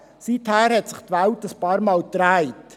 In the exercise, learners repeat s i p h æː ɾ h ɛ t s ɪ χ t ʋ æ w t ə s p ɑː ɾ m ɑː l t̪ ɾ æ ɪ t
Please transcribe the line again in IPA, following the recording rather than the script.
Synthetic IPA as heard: s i t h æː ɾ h ɛ t s ɪ χ t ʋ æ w t ə s p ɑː ɾ m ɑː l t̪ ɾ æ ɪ t